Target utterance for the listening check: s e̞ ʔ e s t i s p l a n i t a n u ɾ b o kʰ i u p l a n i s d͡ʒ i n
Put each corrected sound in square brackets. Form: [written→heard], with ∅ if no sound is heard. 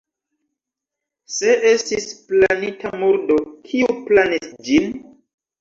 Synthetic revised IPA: s e̞ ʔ e s t i s p l a n i t a [n→m] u ɾ [b→d] o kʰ i u p l a n i s d͡ʒ i n